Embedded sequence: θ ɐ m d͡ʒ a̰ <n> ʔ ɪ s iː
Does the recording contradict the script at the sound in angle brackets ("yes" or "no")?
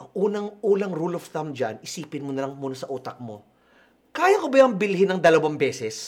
no